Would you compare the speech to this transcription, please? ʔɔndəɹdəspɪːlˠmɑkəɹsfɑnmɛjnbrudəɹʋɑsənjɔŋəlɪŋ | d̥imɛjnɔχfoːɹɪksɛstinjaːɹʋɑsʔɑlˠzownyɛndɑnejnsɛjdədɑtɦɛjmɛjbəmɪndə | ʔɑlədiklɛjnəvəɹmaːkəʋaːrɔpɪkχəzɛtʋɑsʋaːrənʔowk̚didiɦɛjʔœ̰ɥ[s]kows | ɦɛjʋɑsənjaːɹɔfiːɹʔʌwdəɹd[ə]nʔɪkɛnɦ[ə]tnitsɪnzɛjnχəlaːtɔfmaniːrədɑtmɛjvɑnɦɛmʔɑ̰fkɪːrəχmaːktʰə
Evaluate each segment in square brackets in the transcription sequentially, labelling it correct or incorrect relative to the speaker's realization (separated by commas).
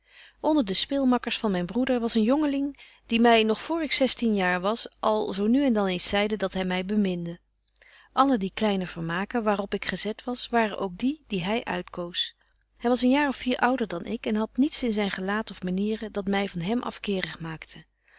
incorrect, incorrect, incorrect